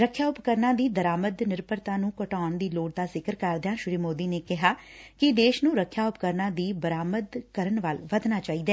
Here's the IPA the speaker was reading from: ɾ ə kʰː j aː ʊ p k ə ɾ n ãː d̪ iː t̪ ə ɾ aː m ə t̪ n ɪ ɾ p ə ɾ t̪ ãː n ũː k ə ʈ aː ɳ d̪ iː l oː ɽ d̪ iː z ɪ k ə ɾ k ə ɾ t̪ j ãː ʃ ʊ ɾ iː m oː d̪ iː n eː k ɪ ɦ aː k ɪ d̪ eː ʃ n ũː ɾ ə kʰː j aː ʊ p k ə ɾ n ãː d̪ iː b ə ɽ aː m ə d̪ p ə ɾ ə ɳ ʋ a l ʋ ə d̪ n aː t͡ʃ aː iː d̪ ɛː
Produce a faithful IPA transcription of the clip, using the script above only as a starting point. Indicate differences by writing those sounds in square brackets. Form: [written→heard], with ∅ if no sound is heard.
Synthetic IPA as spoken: ɾ ə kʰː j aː ʊ p k ə ɾ n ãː d̪ iː [t̪→d̪] ə ɾ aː m ə [t̪→d̪] n ɪ ɾ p ə ɾ t̪ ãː n ũː k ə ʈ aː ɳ d̪ iː l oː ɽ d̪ [iː→aː] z ɪ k ə ɾ k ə ɾ [t̪→d̪] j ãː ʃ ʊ ɾ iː m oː d̪ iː n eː k ɪ ɦ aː k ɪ d̪ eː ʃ n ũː ɾ ə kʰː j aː ʊ p k ə ɾ n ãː d̪ iː b ə [ɽ→ɾ] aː m ə d̪ [p→k] ə ɾ ə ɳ ʋ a l ʋ ə d̪ n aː t͡ʃ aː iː d̪ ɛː

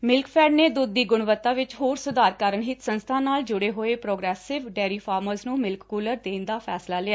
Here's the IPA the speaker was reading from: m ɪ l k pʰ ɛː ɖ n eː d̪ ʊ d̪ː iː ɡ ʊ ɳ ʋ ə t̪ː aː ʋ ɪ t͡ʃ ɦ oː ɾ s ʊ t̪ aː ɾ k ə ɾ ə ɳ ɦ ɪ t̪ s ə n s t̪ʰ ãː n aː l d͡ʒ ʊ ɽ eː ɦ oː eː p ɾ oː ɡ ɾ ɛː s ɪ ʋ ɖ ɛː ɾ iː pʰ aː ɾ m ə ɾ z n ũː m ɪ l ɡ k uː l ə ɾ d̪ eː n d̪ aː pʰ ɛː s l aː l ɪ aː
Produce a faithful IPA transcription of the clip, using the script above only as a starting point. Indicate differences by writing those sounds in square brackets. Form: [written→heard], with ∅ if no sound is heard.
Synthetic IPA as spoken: m ɪ l k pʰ ɛː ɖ n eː d̪ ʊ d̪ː iː ɡ ʊ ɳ ʋ ə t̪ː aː ʋ ɪ t͡ʃ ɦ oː ɾ s ʊ [t̪→d̪] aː ɾ k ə ɾ ə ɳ ɦ ɪ t̪ s ə n s t̪ʰ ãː n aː l d͡ʒ ʊ ɽ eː ɦ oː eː p ɾ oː ɡ ɾ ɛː s ɪ ʋ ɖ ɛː ɾ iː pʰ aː ɾ m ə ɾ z n ũː m ɪ l [ɡ→k] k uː l ə ɾ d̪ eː n d̪ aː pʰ ɛː s l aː l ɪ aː

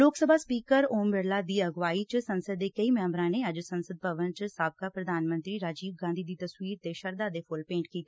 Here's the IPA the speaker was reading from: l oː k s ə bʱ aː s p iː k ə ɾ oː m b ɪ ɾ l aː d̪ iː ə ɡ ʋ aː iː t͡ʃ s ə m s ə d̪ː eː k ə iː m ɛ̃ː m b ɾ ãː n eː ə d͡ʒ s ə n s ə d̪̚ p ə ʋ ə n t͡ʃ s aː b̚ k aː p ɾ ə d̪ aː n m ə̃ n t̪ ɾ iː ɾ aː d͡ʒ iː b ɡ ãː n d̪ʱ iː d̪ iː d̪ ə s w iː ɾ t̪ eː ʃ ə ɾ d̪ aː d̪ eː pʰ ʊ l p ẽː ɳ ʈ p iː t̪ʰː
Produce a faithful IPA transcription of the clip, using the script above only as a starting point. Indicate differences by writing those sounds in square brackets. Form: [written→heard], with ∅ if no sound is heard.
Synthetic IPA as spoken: l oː k s ə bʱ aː s p iː k ə ɾ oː m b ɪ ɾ l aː d̪ iː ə ɡ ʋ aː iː t͡ʃ s ə [m→n] s ə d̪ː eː k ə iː m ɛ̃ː m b ɾ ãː n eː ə d͡ʒ s ə n s ə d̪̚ p ə ʋ ə n t͡ʃ s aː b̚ k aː p ɾ ə d̪ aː n m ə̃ n t̪ ɾ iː ɾ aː d͡ʒ iː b ɡ ãː n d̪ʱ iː d̪ iː [d̪→t̪] ə s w iː ɾ t̪ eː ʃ ə ɾ d̪ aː d̪ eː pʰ ʊ l p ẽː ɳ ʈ [p→k] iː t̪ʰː

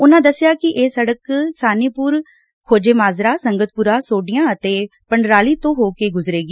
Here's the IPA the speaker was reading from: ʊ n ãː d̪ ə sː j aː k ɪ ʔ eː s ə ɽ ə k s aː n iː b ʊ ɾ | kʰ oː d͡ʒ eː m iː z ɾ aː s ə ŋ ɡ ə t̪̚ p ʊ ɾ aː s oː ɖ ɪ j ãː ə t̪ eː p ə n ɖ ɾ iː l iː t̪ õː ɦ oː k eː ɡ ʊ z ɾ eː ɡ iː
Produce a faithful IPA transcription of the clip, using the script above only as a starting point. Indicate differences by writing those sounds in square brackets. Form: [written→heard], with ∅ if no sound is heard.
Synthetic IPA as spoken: ʊ n ãː d̪ ə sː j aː k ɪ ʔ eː s ə ɽ ə k s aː n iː [b→p] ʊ ɾ | kʰ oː d͡ʒ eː m [iː→aː] z ɾ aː s ə ŋ ɡ ə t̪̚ p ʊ ɾ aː s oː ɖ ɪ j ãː ə t̪ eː p ə [n→ɳ] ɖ ɾ [iː→aː] l iː t̪ õː ɦ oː k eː ɡ ʊ z ɾ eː ɡ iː

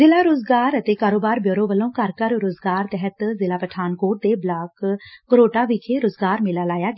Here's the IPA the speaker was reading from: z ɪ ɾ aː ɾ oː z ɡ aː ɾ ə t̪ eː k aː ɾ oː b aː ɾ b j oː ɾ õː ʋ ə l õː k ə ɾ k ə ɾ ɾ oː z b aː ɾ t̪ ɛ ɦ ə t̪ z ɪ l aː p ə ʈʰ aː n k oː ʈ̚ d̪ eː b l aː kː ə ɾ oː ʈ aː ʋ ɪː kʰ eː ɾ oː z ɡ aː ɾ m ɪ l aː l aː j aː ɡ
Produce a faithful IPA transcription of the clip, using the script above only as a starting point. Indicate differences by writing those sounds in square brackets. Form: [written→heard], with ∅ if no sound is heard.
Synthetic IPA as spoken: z ɪ [ɾ→l] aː ɾ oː z ɡ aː ɾ ə t̪ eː k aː ɾ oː b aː ɾ b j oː ɾ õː ʋ ə l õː k ə ɾ k ə ɾ ɾ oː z [b→ɡ] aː ɾ t̪ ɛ ɦ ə t̪ z ɪ l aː p ə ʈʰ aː n k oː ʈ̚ d̪ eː b l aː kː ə ɾ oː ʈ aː ʋ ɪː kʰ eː ɾ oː z ɡ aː ɾ m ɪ l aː l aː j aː ɡ

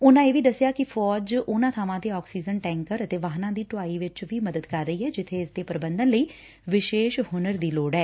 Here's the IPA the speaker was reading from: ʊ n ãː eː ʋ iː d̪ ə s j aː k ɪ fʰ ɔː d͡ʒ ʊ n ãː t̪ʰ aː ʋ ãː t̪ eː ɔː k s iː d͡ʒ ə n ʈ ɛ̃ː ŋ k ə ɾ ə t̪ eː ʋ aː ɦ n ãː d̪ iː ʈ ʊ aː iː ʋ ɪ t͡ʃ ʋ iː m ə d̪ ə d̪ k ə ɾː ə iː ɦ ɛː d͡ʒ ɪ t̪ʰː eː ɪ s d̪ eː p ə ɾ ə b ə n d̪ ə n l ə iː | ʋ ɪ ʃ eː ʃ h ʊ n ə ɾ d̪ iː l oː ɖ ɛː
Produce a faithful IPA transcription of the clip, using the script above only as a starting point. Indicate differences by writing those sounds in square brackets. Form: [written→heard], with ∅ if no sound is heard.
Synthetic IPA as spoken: ʊ n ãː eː ʋ iː d̪ ə s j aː k ɪ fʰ ɔː d͡ʒ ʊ n ãː t̪ʰ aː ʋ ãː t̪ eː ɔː k s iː d͡ʒ ə n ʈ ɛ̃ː ŋ k ə ɾ ə t̪ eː ʋ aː ɦ n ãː d̪ iː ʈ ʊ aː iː ʋ ɪ t͡ʃ ʋ iː m ə d̪ ə d̪ k ə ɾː ə iː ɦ ɛː d͡ʒ ɪ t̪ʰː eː ɪ s d̪ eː p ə ɾ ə b ə n d̪ ə n l ə iː | ʋ ɪ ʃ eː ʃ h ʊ n ə ɾ d̪ iː l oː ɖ ɛː

